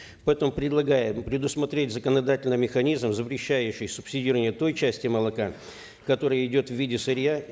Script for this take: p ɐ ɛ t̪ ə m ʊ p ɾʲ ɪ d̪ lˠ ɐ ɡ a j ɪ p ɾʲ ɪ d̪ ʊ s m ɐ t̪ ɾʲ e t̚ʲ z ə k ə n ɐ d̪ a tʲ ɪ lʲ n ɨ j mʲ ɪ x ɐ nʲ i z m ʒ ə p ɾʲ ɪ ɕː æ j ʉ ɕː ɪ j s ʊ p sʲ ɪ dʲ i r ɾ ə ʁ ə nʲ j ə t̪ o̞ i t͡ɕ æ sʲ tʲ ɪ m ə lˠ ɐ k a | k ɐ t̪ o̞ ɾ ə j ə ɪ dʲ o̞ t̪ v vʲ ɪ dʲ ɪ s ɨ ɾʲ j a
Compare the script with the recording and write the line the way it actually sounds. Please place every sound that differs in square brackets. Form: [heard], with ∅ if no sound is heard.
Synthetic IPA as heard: p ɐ ɛ t̪ ə m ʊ p ɾʲ ɪ d̪ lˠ ɐ ɡ a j ɪ p ɾʲ ɪ d̪ ʊ s m ɐ t̪ ɾʲ e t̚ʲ z ə k ə n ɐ d̪ a tʲ ɪ lʲ n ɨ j mʲ ɪ x ɐ nʲ i z m [z] ə p ɾʲ ɪ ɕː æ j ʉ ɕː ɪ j s ʊ p sʲ ɪ dʲ i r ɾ ə [v] ə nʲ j ə t̪ o̞ [j] t͡ɕ æ sʲ tʲ ɪ m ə lˠ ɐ k a | k ɐ t̪ o̞ ɾ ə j ə ɪ dʲ o̞ t̪ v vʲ [i] dʲ ɪ s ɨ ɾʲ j a